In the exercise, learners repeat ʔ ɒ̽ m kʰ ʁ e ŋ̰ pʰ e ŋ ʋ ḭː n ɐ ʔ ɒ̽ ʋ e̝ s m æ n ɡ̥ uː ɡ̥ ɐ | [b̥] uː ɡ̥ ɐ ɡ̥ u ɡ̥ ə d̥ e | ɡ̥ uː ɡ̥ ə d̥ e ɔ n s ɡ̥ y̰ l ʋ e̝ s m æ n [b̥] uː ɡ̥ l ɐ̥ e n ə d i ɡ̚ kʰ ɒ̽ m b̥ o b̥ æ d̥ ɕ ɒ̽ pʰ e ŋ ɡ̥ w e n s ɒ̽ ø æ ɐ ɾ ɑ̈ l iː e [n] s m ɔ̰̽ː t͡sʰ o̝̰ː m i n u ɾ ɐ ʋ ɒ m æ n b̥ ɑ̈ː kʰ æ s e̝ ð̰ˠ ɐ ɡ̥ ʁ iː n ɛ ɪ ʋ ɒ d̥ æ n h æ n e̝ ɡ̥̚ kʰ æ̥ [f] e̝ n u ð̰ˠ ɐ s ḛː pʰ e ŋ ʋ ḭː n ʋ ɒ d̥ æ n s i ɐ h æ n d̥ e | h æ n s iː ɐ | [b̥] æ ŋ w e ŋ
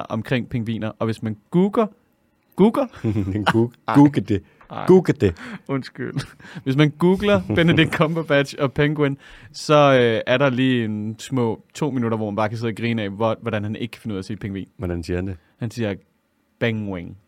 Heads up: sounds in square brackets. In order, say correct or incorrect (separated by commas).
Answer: incorrect, incorrect, correct, correct, correct